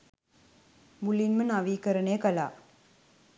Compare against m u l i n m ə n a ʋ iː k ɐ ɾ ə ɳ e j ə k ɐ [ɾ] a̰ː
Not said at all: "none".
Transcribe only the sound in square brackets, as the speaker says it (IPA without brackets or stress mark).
l